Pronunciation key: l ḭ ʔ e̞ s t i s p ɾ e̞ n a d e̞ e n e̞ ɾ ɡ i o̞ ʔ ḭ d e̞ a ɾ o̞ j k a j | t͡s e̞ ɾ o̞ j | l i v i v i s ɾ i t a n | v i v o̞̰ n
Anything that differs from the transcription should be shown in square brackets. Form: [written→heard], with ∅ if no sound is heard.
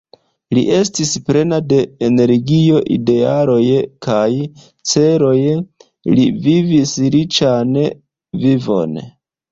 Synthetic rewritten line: l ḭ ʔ e̞ s t i s p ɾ e̞ n a d e̞ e n e̞ ɾ ɡ i o̞ ʔ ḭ d e̞ a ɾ o̞ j k a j | t͡s e̞ ɾ o̞ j | l i v i v i s ɾ i [t→t͡ʃ] a n | v i v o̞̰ n